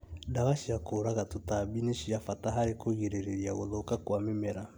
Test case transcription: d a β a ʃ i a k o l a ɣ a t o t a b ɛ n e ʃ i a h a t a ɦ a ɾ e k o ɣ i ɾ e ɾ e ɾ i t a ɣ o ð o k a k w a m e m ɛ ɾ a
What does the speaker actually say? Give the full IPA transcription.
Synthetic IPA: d a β a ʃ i a k o ɾ a ɣ a t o t a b i n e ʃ i a f a t a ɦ a ɾ e k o ɣ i ɾ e ɾ e ɾ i a ɣ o ð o k a k w a m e m ɛ ɾ a